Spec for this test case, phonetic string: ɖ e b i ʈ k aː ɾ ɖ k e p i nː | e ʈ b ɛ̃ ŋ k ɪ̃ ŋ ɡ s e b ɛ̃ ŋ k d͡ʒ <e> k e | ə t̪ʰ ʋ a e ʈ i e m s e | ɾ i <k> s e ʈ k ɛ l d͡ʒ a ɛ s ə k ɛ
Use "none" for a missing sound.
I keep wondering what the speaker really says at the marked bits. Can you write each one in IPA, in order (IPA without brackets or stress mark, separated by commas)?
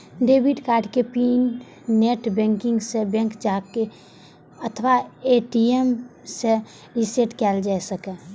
a, none